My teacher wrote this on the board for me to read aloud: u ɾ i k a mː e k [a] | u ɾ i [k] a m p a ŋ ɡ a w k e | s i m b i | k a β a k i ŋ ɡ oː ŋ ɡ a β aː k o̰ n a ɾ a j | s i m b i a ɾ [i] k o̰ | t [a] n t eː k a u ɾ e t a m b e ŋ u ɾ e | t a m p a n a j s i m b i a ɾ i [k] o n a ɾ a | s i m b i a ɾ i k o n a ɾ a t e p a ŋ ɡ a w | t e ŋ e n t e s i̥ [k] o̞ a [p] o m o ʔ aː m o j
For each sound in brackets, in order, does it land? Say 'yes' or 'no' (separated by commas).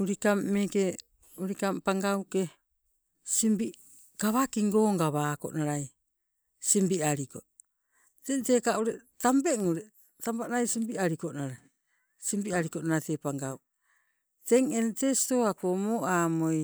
no, yes, yes, no, yes, no, no